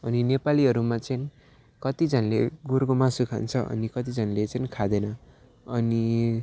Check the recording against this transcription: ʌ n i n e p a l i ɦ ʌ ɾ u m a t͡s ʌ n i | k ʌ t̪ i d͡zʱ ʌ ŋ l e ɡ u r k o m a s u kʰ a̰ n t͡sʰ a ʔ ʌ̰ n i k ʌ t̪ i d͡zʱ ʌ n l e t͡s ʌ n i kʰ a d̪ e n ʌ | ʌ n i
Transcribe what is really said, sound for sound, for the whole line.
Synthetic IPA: ʌ n i n e p a l i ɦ ʌ ɾ u m a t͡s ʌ n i | k ʌ t̪ i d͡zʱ ʌ n l e ɡ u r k o m a s u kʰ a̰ n t͡sʰ ʌ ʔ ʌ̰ n i k ʌ t̪ i d͡zʱ ʌ n l e t͡s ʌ n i kʰ a d̪ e n ʌ | ʌ n i